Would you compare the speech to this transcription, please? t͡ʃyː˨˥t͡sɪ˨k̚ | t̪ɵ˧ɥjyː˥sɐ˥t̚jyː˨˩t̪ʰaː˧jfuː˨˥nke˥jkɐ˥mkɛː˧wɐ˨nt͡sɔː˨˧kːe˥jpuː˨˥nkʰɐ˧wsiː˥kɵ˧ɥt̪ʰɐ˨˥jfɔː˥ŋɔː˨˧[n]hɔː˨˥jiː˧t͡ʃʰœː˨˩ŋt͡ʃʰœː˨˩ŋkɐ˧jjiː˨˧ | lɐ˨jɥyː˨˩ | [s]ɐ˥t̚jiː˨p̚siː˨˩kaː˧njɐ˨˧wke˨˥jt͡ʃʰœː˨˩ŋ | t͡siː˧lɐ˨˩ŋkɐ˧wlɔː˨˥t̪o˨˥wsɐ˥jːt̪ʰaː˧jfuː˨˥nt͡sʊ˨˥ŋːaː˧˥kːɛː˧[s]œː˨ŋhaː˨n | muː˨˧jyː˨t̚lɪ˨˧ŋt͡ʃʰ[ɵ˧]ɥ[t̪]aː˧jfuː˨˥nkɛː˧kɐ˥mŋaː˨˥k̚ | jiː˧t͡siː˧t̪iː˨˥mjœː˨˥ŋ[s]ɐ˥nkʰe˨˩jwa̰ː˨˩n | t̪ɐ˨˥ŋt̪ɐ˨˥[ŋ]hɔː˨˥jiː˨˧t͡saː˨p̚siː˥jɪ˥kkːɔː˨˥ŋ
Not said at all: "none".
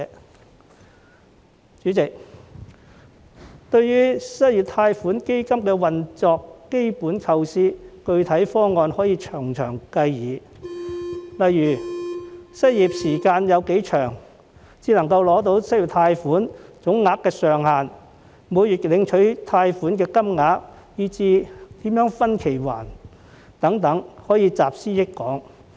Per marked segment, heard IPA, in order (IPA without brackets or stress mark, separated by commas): n, s, s, ɵ˨˥, t̪ʰ, f, ŋ